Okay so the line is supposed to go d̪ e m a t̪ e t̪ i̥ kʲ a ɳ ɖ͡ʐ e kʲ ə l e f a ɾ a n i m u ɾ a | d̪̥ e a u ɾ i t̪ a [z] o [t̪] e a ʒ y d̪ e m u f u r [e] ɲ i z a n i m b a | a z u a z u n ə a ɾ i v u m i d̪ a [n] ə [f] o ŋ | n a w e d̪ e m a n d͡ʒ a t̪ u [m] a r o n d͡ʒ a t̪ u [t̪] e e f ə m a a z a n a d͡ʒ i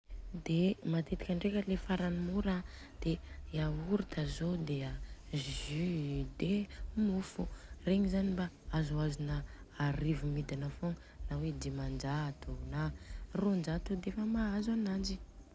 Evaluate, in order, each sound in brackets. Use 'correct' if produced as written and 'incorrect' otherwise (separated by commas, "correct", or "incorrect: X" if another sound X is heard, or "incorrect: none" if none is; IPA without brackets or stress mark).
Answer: correct, incorrect: d̪, correct, correct, correct, incorrect: n, incorrect: d̪